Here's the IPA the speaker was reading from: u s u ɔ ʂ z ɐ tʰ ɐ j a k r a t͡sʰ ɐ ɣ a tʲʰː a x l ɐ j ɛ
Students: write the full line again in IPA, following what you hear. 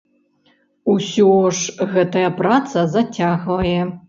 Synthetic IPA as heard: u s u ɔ ʂ ɣ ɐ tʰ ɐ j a p r a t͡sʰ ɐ z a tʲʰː a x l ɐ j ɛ